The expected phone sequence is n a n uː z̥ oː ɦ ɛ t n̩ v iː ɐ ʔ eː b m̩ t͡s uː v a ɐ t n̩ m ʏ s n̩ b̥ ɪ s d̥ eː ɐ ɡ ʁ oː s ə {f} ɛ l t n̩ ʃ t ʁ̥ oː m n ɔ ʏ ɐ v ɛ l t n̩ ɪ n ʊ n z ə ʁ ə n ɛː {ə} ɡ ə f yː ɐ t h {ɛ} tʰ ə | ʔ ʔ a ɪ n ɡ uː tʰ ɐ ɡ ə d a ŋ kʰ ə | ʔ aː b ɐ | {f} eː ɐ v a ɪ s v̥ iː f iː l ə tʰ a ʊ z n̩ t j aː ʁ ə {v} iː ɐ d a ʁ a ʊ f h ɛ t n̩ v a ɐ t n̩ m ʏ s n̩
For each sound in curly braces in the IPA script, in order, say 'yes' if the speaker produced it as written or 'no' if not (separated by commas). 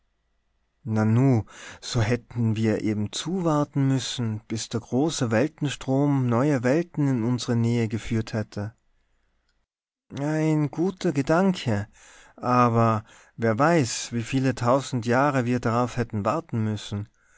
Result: no, yes, yes, no, yes